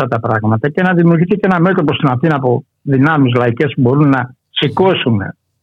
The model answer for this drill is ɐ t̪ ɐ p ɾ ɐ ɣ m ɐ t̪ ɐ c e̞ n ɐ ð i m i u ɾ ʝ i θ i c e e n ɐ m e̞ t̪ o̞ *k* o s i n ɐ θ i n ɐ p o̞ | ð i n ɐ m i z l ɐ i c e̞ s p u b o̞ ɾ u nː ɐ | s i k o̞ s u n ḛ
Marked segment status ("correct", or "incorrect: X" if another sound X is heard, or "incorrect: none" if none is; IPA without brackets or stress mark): incorrect: p